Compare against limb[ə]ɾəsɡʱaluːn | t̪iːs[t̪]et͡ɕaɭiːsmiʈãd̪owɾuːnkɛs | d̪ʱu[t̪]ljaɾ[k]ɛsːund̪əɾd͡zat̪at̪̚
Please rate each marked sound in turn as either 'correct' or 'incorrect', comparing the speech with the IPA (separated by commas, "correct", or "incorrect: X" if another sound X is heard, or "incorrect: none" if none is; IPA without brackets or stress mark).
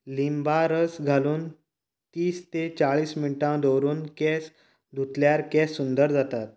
incorrect: a, correct, correct, correct